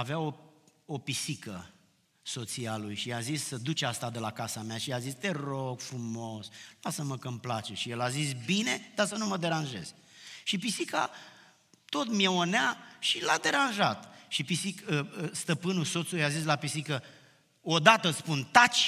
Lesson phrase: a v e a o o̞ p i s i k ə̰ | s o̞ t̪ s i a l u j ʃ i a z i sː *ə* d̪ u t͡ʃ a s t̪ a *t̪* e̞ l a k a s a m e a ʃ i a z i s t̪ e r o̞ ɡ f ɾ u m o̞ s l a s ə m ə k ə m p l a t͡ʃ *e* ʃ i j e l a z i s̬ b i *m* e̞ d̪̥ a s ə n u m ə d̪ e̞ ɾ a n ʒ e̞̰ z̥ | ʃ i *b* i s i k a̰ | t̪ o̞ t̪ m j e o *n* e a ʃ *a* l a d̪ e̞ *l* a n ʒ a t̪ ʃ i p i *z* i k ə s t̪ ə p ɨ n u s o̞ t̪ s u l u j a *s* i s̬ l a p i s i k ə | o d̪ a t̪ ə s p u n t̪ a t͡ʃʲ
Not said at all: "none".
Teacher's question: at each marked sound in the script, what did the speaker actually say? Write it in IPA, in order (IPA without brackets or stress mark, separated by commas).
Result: ə, d̪, e, n, p, n, i, ɾ, s, z